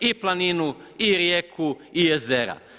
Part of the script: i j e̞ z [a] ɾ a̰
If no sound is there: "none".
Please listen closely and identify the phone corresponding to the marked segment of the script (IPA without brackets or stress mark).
e